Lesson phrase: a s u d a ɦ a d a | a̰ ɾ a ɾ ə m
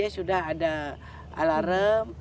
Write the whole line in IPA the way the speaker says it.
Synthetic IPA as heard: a s u d a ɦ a d a | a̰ l a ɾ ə m